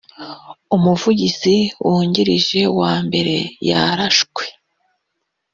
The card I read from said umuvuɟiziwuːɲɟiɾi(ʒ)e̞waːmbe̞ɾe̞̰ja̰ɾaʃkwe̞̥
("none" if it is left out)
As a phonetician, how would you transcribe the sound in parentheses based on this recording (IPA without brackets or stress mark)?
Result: ʒ